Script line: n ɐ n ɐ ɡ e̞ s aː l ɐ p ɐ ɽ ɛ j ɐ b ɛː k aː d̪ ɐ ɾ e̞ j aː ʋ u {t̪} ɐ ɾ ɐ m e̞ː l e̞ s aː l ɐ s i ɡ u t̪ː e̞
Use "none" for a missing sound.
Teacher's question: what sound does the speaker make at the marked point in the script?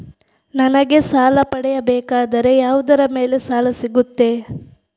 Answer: d̪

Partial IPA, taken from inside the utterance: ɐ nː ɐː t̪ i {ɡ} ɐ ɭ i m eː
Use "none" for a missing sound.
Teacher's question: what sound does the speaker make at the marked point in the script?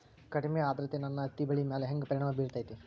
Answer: b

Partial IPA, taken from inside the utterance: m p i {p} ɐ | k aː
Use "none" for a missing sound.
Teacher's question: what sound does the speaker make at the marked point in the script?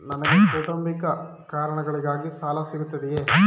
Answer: k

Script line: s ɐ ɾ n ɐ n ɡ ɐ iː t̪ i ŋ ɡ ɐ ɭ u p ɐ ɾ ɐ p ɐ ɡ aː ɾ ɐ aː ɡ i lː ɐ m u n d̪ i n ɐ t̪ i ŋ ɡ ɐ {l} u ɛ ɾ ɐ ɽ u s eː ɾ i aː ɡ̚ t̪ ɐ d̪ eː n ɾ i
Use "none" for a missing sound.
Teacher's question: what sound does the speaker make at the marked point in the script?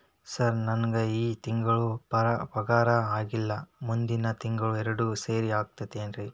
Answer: ɭ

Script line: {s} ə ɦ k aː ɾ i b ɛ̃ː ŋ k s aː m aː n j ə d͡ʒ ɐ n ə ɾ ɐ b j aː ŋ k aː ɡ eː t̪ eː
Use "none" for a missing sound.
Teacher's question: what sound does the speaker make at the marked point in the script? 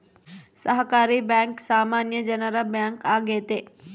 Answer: s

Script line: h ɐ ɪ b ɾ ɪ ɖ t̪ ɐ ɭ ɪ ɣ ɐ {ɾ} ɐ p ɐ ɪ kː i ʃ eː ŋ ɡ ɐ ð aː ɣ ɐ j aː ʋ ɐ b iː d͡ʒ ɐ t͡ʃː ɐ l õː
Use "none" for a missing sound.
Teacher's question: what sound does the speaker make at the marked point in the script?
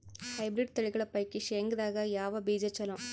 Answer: ɭ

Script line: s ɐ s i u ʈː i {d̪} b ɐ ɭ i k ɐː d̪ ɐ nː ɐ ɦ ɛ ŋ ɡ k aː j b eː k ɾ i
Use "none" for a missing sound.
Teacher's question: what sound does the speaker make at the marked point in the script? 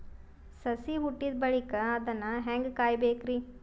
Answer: d̪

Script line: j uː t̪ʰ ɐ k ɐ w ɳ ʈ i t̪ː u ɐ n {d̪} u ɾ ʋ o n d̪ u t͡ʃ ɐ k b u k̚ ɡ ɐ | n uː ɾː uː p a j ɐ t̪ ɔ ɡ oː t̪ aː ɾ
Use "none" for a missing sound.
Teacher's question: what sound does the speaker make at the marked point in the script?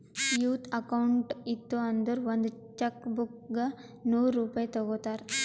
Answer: d̪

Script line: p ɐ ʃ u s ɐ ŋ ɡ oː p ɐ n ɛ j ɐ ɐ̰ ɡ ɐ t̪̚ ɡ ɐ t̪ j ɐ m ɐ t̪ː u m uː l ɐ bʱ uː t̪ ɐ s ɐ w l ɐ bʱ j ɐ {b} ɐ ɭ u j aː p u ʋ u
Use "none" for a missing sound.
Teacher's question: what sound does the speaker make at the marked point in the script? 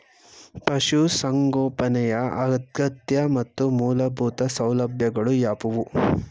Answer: ɡ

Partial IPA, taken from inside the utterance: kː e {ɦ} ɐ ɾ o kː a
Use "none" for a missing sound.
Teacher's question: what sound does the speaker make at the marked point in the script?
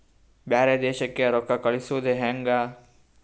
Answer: none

